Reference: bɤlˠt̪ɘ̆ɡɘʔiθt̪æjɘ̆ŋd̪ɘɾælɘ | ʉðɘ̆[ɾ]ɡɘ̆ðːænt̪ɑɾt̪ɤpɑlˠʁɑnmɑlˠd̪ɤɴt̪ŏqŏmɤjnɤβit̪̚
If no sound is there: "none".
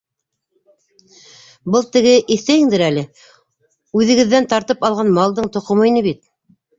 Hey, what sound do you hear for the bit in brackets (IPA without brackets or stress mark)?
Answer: none